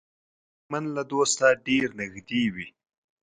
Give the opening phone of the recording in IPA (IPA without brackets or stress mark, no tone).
m